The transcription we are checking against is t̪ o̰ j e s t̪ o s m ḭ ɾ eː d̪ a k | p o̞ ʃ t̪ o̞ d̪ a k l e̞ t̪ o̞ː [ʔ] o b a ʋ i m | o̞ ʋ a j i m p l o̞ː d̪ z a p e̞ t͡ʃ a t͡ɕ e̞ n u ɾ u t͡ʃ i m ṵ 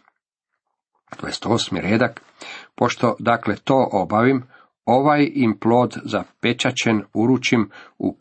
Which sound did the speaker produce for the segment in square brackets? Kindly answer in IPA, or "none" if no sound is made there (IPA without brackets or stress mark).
ʔ